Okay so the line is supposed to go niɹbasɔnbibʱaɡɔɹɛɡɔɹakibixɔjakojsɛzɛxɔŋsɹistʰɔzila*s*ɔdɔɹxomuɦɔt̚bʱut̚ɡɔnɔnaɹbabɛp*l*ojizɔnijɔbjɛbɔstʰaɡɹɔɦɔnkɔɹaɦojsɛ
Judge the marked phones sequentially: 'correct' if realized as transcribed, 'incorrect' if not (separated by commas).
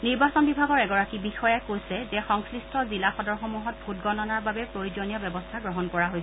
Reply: incorrect, incorrect